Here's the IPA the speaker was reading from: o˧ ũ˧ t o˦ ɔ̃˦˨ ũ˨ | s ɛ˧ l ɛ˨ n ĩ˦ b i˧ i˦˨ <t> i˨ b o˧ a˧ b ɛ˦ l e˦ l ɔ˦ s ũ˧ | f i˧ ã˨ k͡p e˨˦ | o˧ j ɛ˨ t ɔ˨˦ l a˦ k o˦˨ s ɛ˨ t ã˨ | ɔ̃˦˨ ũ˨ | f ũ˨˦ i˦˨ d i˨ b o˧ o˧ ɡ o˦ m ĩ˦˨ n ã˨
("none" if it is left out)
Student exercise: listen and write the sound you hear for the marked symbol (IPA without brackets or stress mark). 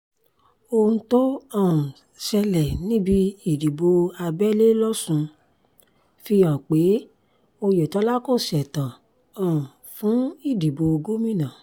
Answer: d